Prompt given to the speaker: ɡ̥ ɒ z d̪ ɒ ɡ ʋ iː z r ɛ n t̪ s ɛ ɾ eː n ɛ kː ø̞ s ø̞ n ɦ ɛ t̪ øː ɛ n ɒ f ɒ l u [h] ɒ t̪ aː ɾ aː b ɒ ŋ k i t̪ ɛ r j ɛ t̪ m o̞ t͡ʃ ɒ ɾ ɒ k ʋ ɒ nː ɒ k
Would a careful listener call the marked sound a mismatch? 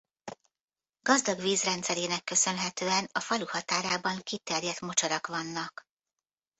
no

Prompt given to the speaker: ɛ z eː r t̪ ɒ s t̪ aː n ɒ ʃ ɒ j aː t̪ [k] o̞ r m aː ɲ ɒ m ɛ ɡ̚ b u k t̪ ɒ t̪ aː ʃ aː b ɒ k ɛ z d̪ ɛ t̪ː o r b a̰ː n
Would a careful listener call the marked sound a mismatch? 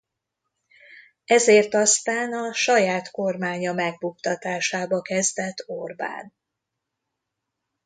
no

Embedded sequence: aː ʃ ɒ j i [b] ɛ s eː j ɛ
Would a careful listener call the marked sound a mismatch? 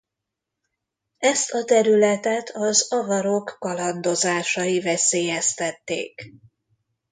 yes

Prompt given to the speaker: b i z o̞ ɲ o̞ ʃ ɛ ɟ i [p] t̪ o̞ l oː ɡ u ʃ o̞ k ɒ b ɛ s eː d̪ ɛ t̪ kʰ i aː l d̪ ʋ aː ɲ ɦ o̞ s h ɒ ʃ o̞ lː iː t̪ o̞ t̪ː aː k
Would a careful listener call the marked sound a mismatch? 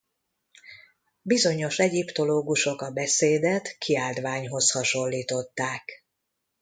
no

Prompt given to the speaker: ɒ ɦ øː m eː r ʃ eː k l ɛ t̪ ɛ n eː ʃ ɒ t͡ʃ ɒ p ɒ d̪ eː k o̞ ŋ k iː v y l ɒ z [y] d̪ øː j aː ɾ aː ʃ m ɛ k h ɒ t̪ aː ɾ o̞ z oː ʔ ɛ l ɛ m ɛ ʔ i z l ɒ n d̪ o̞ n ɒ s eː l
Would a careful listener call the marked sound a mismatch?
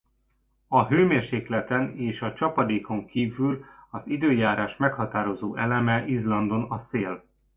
yes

